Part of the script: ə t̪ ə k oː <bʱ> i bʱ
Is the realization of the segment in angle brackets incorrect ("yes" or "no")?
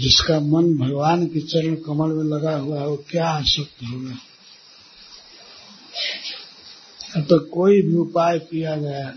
yes